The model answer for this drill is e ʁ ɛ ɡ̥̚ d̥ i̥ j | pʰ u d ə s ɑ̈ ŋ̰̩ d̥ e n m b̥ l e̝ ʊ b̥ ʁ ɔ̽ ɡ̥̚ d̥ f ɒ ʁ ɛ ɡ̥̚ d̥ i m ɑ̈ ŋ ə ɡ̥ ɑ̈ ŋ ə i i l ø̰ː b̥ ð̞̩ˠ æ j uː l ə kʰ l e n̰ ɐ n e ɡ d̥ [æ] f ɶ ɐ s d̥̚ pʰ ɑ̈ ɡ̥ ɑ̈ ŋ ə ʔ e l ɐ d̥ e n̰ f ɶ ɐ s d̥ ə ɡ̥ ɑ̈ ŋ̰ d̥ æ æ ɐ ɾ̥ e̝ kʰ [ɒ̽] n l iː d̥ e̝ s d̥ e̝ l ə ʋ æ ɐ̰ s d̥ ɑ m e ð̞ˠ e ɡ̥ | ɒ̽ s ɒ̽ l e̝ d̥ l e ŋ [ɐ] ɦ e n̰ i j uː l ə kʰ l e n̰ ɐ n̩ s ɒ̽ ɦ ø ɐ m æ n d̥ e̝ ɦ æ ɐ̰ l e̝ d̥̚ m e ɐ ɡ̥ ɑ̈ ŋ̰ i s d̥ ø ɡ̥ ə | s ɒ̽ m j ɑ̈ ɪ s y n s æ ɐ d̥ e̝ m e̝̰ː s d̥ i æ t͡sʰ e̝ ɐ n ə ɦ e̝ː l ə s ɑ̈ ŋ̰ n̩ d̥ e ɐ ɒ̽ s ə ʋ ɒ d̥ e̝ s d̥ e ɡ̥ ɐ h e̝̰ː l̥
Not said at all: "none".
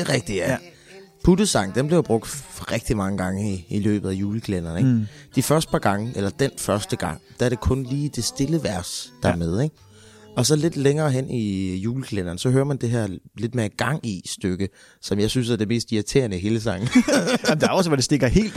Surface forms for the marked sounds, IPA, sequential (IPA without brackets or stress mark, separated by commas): i, ɔ̽, ɐː